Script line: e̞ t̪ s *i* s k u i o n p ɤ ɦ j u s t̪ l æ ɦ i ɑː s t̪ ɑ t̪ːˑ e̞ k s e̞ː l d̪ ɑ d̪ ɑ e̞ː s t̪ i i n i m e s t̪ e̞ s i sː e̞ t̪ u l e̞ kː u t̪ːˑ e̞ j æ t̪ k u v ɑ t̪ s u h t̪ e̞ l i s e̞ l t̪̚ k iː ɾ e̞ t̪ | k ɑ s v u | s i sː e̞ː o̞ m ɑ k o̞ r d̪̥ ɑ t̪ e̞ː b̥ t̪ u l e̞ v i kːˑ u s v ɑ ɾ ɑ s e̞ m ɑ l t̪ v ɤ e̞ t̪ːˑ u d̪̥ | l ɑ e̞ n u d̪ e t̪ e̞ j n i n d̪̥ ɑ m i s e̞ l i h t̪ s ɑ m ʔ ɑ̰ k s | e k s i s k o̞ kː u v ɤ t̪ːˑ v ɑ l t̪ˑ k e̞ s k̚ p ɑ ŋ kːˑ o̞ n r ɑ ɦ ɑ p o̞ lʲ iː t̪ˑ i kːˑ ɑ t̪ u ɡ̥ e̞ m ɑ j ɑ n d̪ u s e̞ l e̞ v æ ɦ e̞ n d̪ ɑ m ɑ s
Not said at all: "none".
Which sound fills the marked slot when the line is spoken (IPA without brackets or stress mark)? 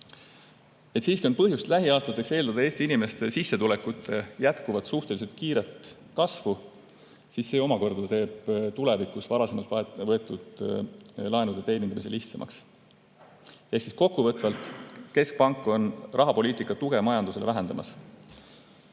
iː